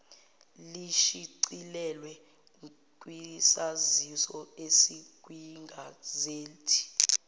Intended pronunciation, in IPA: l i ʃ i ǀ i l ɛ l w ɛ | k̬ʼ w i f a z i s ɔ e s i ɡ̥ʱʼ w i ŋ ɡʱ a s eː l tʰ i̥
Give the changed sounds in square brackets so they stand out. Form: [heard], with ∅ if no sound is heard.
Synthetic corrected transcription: l i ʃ i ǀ i l ɛ l w ɛ | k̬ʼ w i [s] a z i s ɔ e s i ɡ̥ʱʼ w i ŋ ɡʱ a [z] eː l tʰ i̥